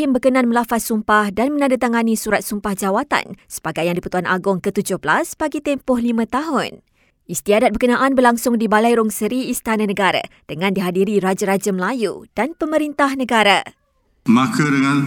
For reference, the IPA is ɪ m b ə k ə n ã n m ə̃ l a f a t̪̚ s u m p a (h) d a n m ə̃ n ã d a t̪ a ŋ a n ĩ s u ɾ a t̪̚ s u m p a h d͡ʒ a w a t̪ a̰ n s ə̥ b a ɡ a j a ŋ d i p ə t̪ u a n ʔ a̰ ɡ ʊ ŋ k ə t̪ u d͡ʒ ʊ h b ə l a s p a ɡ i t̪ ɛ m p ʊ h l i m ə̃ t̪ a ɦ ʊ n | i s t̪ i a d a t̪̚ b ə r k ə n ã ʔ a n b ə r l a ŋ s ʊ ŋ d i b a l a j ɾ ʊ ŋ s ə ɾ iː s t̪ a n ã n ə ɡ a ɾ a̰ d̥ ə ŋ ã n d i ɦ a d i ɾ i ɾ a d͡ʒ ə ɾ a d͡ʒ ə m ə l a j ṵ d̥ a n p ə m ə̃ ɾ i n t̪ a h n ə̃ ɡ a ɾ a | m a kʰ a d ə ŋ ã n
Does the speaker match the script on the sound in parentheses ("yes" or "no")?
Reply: yes